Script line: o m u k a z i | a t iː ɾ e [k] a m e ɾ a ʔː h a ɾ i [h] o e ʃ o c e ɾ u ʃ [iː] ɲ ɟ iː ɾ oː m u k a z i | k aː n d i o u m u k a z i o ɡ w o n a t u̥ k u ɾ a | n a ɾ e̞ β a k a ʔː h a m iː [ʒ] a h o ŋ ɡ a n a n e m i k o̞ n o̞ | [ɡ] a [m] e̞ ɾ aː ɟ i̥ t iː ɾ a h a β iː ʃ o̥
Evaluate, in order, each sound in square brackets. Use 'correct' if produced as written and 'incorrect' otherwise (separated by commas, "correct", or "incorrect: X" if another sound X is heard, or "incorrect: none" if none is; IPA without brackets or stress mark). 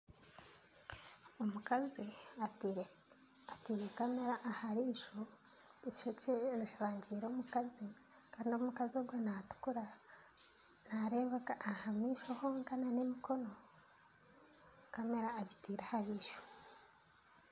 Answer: correct, incorrect: ʃ, incorrect: aː, incorrect: ʃ, incorrect: k, correct